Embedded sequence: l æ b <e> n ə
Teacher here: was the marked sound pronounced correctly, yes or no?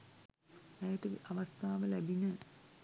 no